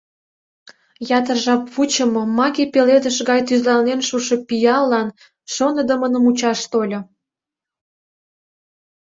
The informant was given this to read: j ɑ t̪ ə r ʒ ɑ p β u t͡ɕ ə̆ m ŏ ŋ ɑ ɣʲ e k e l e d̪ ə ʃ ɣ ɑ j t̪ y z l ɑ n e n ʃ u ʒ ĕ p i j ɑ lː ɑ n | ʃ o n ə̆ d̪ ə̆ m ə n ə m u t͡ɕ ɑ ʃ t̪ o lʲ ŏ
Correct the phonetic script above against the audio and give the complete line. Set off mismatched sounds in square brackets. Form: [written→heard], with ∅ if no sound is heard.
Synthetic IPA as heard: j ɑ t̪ ə r ʒ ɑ p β u t͡ɕ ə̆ m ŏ [ŋ→m] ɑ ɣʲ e [k→p] e l e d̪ ə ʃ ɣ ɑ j t̪ y z l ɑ n e n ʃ u [ʒ→ʃ] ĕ p i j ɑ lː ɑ n | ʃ o n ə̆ d̪ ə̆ m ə n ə m u t͡ɕ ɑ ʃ t̪ o lʲ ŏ

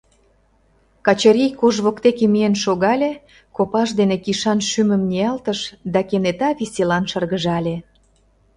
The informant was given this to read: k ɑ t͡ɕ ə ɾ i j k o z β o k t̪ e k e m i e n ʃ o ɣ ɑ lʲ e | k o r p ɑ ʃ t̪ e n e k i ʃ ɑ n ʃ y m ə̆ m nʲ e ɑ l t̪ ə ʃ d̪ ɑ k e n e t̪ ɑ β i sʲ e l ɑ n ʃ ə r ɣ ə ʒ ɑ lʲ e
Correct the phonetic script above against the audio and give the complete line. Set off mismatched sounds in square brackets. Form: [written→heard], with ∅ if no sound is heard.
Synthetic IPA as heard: k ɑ t͡ɕ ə ɾ i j k o [z→ʒ] β o k t̪ e k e m i e n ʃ o ɣ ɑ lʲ e | k o [r→∅] p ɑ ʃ [t̪→d̪] e n e k i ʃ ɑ n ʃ y m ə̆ m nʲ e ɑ l t̪ ə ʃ d̪ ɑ k e n e t̪ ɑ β i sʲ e l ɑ n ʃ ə r ɣ ə ʒ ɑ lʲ e

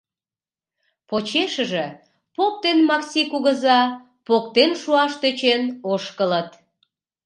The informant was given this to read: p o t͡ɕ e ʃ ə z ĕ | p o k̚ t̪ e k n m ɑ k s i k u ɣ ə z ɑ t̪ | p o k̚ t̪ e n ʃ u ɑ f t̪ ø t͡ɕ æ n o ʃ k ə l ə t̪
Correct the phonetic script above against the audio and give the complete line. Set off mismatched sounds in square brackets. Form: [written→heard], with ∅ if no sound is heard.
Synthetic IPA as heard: p o t͡ɕ e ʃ ə [z→ʒ] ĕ | p o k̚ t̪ e [k→∅] n m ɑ k s i k u ɣ ə z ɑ [t̪→∅] | p o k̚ t̪ e n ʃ u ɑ [f→ʃ] t̪ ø t͡ɕ [æ→e] n o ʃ k ə l ə t̪

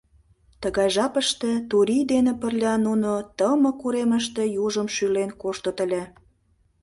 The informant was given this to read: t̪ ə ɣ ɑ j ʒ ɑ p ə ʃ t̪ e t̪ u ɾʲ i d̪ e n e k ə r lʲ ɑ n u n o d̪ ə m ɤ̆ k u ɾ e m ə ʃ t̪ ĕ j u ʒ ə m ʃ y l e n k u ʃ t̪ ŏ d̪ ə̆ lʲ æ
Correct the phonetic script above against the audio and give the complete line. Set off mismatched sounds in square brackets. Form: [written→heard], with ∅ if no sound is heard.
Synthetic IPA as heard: t̪ ə ɣ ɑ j ʒ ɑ p ə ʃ t̪ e t̪ u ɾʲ i d̪ e n e [k→p] ə r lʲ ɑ n u n o [d̪→t̪] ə m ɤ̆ k u ɾ e m ə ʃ t̪ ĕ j u ʒ ə m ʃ y l e n k [u→o] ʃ t̪ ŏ [d̪→t̪] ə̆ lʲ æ

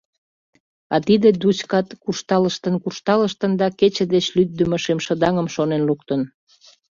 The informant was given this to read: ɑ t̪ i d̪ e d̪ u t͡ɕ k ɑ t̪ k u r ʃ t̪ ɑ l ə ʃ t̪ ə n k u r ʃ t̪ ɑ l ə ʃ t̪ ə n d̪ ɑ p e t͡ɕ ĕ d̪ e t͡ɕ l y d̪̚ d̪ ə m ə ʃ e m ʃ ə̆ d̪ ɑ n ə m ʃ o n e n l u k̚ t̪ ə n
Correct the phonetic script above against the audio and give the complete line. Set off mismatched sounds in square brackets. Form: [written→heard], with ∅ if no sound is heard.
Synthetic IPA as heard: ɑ t̪ i d̪ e d̪ u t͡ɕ k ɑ t̪ k u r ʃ t̪ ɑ l ə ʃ t̪ ə n k u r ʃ t̪ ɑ l ə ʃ t̪ ə n d̪ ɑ [p→k] e t͡ɕ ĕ d̪ e t͡ɕ l y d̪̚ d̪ ə m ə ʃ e m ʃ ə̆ d̪ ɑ [n→ŋ] ə m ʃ o n e n l u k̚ t̪ ə n

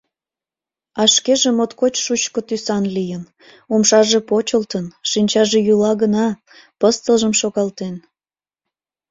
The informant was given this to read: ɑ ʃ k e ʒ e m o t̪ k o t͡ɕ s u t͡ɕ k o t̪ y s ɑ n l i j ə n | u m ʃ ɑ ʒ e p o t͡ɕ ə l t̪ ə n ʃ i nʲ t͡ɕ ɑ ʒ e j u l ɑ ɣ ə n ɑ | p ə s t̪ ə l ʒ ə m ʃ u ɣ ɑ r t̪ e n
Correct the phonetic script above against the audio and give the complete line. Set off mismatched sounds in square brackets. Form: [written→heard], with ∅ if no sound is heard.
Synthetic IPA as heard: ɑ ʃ k e ʒ e m o t̪ k o t͡ɕ [s→ʃ] u t͡ɕ k o t̪ y s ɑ n l i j ə n | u m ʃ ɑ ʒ e p o t͡ɕ ə l t̪ ə n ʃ i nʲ t͡ɕ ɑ ʒ e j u l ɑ ɣ ə n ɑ | p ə s t̪ ə l ʒ ə m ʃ [u→o] ɣ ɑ [r→l] t̪ e n

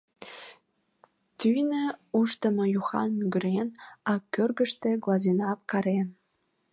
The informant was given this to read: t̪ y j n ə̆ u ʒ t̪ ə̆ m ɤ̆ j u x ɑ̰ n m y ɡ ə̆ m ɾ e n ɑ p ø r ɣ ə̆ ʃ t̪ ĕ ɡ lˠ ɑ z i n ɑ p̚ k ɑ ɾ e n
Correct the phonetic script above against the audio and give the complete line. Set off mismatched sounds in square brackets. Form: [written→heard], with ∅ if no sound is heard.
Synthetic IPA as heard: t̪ y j n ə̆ u [ʒ→ʃ] t̪ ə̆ m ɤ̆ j u x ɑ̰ n m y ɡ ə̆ [m→∅] ɾ e n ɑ [p→k] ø r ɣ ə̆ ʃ t̪ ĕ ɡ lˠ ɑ z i n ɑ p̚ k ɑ ɾ e n

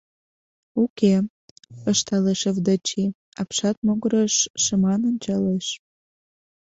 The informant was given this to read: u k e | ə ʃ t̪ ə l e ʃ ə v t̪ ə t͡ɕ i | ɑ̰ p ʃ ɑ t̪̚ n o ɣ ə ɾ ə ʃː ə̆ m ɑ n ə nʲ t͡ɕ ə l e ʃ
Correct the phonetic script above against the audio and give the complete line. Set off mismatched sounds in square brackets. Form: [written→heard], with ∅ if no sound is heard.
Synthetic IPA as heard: u k e | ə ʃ t̪ [ə→ɑ] l e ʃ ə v [t̪→d̪] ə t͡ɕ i | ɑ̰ p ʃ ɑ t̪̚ [n→m] o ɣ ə ɾ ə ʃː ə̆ m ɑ n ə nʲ t͡ɕ [ə→ɑ] l e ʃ

